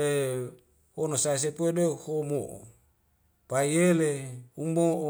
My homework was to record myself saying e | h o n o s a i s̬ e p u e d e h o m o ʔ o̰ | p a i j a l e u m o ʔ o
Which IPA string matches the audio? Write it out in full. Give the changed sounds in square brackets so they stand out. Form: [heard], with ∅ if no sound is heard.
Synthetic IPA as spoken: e | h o n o s a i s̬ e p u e d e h o m o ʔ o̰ | p a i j [e] l e u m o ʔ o